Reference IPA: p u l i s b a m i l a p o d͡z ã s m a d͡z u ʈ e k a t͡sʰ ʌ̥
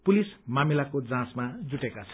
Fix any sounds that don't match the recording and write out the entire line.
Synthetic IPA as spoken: p u l i s m a m i l a k o d͡z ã s m a d͡z u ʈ e k a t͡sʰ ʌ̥